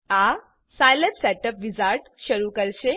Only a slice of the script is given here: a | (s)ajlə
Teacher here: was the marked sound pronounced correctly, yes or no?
yes